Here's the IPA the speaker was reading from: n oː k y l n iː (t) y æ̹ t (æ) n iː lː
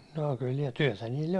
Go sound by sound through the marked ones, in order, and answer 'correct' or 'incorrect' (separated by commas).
correct, correct